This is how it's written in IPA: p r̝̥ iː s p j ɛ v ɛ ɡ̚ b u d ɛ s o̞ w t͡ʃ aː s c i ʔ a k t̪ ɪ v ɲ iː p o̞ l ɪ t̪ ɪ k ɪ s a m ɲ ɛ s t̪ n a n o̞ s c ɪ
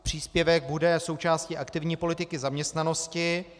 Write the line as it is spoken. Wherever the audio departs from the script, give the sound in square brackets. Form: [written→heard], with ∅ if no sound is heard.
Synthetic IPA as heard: p r̝̥ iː s p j ɛ v ɛ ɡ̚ b u d ɛ s o̞ w t͡ʃ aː s c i ʔ a k t̪ ɪ v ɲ iː p o̞ l ɪ t̪ ɪ k ɪ [s→z] a m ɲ ɛ s t̪ n a n o̞ s c ɪ